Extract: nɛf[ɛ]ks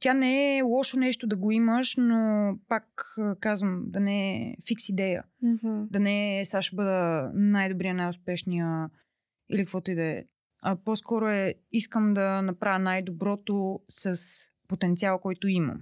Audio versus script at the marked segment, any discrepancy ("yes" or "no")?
yes